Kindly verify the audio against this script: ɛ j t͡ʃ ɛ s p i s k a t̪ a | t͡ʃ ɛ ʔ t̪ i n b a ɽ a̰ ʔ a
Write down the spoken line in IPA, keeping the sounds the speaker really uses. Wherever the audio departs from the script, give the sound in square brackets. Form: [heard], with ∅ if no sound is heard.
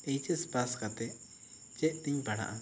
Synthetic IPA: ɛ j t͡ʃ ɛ s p [a] s k a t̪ [ɛ] | t͡ʃ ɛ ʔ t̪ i [ɲ] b a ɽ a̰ ʔ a